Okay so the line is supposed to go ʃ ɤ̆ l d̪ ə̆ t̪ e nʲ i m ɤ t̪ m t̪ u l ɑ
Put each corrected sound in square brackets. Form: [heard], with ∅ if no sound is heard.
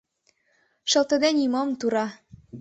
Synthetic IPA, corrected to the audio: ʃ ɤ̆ l [t̪] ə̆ [d̪] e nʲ i m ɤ [∅] m t̪ u [ɾ] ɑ